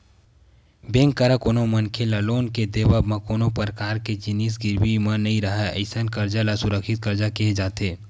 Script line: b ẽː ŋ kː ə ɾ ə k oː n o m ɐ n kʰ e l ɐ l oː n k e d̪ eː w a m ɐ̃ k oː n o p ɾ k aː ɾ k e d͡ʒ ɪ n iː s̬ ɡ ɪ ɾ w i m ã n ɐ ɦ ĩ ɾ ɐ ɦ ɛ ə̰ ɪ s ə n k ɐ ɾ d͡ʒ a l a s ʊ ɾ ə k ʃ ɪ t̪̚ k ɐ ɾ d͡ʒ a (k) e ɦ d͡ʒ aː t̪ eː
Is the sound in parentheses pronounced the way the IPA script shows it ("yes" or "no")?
yes